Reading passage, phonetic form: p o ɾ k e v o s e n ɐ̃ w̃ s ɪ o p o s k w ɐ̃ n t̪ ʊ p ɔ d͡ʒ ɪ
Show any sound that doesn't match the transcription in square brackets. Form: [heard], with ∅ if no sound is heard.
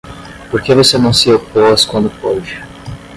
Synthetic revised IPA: p o ɾ k e v o s e n ɐ̃ w̃ s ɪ o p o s k w ɐ̃ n [d̪] ʊ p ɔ d͡ʒ ɪ